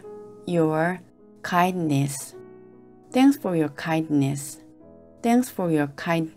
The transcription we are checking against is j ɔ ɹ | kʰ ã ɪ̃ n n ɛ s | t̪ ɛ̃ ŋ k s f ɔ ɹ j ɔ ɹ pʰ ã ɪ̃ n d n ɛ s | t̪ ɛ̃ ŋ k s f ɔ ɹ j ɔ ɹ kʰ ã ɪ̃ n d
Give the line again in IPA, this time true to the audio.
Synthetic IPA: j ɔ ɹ | kʰ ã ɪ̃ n n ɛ s | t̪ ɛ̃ ŋ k s f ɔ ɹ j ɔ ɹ kʰ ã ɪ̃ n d n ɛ s | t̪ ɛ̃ ŋ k s f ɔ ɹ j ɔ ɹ kʰ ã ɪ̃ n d